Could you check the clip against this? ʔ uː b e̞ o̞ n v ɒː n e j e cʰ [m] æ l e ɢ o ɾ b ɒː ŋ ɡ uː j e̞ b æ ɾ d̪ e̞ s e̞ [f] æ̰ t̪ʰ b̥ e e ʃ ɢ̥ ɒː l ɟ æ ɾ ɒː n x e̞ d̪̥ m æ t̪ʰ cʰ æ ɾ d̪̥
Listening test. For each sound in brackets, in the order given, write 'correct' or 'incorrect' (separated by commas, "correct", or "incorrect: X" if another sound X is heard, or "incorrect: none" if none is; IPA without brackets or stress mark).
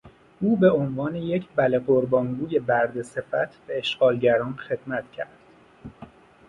incorrect: b, correct